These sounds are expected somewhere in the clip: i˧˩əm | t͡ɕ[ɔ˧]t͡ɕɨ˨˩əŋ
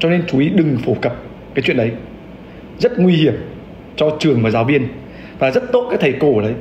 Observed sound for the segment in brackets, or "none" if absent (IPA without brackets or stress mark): ɔ˧